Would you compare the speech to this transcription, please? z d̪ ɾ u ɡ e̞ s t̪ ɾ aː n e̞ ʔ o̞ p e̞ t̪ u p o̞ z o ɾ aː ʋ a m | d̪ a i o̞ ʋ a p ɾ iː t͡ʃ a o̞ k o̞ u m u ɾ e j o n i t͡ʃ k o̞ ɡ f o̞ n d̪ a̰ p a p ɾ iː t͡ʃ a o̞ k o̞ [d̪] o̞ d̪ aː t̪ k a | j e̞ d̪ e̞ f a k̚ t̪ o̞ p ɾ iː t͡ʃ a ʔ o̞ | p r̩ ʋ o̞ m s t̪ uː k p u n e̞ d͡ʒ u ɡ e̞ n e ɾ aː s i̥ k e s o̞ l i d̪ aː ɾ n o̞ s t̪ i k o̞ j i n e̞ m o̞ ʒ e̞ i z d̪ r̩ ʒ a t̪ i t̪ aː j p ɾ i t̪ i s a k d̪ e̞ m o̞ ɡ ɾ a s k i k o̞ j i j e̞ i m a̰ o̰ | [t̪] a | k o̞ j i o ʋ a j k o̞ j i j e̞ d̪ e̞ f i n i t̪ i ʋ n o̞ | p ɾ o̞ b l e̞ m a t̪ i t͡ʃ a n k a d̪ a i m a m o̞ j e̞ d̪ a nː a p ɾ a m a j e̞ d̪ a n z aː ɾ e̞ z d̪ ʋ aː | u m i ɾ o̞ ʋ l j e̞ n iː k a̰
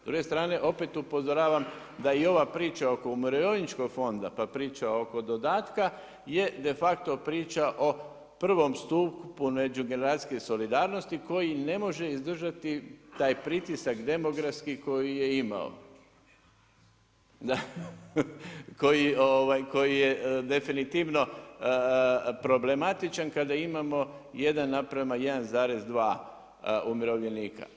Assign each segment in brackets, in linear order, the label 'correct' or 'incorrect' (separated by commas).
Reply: correct, incorrect